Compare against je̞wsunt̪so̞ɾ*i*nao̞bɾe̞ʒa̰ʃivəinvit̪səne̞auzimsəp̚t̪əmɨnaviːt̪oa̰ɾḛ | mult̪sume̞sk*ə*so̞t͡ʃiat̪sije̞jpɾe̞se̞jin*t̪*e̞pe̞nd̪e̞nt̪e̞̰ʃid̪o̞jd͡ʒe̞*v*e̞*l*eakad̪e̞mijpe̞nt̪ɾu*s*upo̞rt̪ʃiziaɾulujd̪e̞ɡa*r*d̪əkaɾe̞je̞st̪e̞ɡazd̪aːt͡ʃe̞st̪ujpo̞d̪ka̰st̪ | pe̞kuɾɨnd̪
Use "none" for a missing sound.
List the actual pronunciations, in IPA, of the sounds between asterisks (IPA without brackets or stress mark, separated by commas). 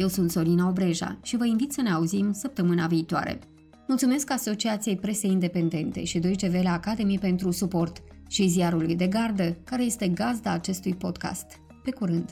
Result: i, a, d̪, v, l, s, r